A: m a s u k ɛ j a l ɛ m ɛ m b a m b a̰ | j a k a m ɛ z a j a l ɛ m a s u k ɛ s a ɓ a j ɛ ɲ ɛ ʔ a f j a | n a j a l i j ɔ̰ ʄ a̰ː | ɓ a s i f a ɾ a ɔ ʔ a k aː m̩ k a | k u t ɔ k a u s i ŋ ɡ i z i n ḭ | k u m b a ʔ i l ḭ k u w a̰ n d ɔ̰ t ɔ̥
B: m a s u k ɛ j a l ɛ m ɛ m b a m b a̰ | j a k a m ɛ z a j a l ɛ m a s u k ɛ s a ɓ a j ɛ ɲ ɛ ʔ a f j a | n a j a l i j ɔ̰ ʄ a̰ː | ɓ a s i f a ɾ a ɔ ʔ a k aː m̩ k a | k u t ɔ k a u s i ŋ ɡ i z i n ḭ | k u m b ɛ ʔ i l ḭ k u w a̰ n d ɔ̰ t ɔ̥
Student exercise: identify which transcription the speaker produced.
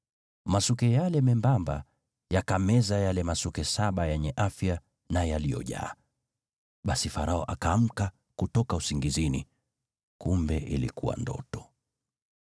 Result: B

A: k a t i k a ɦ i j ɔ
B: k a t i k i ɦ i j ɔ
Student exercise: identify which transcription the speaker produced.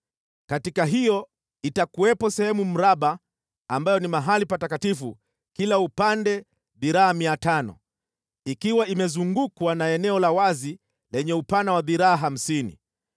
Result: A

